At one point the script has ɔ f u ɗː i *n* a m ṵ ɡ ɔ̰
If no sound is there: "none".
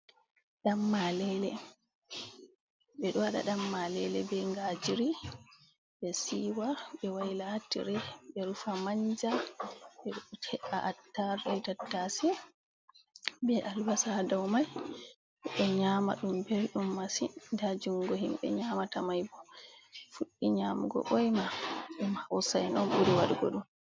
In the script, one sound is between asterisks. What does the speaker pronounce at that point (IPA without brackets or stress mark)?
ɲ